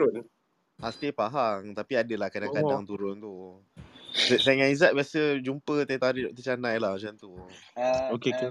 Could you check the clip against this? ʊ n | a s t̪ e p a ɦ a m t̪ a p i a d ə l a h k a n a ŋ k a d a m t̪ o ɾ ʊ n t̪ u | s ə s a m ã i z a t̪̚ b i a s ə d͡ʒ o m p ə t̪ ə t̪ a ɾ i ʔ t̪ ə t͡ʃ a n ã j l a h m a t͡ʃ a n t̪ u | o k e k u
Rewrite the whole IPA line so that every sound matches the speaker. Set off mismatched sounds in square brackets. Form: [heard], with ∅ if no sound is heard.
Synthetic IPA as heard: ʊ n | a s t̪ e p a ɦ a [ŋ] t̪ a p i a d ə l a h k a [d] a ŋ k a d a [ŋ] t̪ [u] ɾ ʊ n t̪ u | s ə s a [ŋ] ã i z a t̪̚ b i a s ə d͡ʒ [u] m p ə t̪ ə t̪ a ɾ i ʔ t̪ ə t͡ʃ a n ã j l a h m a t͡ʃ a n t̪ u | o k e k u